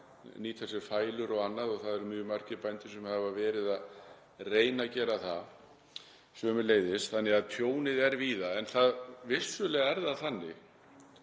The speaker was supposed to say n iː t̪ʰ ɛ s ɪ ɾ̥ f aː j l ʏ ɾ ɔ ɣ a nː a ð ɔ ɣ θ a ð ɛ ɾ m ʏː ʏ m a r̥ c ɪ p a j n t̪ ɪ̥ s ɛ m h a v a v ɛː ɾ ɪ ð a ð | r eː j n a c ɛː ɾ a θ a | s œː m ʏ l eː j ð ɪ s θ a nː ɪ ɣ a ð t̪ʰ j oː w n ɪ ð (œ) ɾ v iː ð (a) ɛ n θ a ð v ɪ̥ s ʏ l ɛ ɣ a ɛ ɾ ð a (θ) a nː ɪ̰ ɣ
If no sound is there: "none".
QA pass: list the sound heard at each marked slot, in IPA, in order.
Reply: ɛ, a, θ

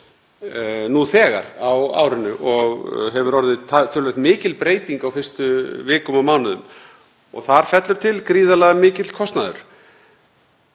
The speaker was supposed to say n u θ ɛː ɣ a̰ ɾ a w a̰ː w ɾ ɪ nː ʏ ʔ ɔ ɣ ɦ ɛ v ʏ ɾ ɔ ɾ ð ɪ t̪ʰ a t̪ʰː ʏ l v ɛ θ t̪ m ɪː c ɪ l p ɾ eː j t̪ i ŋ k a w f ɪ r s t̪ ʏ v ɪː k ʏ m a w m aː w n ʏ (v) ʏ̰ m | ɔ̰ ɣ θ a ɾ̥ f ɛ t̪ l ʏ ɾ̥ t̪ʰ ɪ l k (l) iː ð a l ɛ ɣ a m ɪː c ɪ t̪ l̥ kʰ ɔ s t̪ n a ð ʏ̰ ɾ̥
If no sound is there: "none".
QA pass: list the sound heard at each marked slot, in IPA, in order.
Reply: ð, ɾ

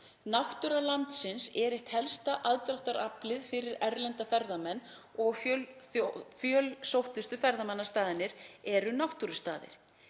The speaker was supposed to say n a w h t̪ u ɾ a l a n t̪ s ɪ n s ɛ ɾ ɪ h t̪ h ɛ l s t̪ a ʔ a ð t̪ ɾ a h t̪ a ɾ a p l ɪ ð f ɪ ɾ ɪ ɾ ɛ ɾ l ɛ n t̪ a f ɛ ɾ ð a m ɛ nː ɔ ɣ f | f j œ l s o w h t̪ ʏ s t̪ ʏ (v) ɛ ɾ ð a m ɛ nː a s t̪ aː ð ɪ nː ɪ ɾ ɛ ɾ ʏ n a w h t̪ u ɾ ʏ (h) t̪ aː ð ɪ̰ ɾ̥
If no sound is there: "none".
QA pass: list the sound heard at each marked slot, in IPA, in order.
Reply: f, s

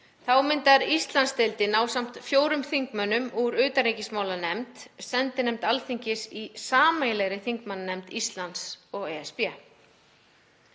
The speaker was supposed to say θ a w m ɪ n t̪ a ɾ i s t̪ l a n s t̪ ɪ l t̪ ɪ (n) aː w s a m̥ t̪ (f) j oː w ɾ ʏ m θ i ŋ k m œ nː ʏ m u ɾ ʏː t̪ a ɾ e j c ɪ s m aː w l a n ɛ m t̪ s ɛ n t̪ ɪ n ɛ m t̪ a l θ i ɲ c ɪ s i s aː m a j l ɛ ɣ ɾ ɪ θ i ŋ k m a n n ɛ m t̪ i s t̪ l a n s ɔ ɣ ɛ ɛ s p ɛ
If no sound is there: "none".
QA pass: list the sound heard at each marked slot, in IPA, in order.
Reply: n, f

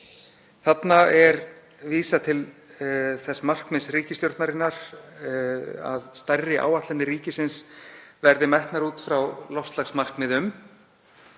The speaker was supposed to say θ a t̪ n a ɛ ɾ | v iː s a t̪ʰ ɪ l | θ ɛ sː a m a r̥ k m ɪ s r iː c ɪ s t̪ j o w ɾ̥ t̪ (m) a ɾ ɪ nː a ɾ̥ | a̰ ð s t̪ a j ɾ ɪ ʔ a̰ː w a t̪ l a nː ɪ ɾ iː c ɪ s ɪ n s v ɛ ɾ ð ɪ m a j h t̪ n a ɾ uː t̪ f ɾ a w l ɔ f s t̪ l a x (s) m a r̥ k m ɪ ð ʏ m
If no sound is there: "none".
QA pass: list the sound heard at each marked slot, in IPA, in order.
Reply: n, s

